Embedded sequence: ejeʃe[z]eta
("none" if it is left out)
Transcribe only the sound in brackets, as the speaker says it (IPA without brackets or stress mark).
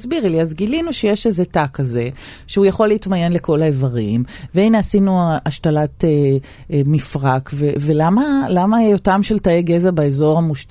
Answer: z